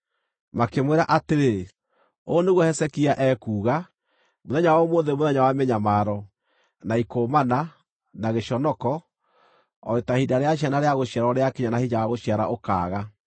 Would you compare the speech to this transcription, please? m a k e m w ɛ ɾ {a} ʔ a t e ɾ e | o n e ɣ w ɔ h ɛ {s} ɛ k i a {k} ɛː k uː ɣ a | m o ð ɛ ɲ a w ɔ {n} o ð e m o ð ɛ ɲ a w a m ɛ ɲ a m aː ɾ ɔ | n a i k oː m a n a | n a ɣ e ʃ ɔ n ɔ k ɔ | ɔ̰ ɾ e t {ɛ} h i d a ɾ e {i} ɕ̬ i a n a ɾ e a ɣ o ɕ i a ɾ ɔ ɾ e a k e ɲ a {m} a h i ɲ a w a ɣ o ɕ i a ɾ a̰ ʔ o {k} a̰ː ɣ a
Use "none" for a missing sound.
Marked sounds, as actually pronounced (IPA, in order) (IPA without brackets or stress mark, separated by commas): a, s, ʔ, m, a, a, n, k